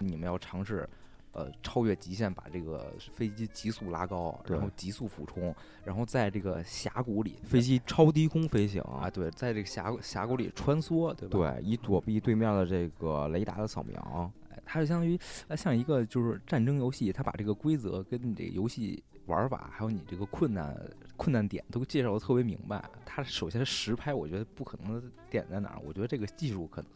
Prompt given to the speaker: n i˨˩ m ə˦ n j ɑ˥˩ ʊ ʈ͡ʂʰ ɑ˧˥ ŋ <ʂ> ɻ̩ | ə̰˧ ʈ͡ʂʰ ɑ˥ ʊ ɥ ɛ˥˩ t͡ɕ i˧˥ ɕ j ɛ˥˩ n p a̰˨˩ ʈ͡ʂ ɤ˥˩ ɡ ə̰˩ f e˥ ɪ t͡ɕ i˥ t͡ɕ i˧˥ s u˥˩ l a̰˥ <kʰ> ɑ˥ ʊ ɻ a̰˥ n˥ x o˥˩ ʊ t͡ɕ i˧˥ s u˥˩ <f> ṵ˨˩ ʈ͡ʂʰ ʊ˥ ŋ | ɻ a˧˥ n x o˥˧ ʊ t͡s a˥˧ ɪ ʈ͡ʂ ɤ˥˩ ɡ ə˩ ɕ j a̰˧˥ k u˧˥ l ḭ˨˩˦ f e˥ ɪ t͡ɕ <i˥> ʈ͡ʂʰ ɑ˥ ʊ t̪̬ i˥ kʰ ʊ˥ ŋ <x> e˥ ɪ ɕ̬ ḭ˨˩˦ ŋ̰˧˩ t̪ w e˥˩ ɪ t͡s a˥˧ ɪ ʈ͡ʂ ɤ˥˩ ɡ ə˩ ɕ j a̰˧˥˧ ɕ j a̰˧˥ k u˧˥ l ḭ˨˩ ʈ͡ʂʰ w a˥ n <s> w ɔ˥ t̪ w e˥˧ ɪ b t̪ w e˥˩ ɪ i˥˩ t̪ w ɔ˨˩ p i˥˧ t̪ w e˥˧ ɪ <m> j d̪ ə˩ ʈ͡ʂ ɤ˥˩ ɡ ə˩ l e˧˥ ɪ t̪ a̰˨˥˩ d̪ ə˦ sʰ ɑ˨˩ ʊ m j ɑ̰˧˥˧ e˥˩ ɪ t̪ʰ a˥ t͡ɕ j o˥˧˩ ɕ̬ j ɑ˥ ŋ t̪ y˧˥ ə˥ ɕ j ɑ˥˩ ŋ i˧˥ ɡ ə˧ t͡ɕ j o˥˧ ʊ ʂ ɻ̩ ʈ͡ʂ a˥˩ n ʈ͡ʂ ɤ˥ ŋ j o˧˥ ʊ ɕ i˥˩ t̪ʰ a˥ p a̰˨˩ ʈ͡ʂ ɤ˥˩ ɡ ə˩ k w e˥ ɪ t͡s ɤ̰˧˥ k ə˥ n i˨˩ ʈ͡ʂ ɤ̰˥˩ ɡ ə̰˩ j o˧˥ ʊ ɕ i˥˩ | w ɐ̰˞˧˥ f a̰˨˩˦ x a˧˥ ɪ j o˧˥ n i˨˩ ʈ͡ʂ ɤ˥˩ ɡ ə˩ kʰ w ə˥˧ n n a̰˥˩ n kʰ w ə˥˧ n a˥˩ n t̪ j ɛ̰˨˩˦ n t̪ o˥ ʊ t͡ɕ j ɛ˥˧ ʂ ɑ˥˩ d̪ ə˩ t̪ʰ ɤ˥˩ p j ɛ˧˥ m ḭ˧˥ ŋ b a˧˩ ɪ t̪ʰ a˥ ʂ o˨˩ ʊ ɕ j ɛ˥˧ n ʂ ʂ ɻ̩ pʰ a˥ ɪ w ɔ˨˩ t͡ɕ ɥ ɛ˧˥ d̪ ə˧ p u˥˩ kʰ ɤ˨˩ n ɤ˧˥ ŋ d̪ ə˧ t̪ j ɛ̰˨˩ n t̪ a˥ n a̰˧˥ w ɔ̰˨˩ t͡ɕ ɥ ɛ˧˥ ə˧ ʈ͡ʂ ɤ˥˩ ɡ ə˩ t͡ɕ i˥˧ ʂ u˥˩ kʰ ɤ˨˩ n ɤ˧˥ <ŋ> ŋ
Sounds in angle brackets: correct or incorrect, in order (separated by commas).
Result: correct, incorrect, correct, correct, incorrect, correct, correct, correct